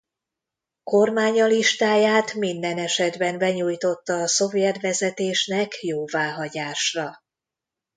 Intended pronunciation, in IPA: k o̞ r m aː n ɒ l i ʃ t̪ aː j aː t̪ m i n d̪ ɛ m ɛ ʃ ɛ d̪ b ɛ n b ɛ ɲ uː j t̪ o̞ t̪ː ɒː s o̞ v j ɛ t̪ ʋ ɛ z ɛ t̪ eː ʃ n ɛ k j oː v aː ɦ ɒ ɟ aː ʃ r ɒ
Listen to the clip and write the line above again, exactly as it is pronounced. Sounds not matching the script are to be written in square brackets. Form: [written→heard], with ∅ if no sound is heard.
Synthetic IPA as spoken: k o̞ r m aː [n→ɲ] ɒ l i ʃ t̪ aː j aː t̪ m i n d̪ ɛ [m→n] ɛ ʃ ɛ d̪ b ɛ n b ɛ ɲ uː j t̪ o̞ t̪ː ɒː s o̞ v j ɛ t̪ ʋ ɛ z ɛ t̪ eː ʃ n ɛ k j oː v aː ɦ ɒ ɟ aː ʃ r ɒ